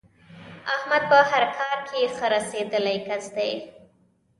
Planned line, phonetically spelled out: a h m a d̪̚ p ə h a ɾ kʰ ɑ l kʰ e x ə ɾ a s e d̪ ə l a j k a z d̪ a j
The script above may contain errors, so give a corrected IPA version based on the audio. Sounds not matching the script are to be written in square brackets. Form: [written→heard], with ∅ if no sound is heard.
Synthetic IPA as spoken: a h m a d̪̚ p ə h a ɾ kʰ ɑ [l→ɾ] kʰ e x ə ɾ a s e d̪ ə l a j k a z d̪ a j